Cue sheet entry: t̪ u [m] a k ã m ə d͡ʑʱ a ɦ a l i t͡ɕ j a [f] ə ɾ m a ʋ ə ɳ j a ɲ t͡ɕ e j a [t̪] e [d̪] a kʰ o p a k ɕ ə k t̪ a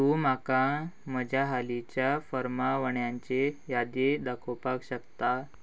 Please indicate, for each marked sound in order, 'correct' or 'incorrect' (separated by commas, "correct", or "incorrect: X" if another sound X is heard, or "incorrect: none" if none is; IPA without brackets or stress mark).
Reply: correct, correct, incorrect: d̪, correct